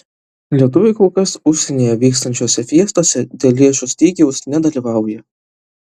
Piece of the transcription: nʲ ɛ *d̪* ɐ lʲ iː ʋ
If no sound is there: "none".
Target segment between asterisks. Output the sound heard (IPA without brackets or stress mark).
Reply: d̪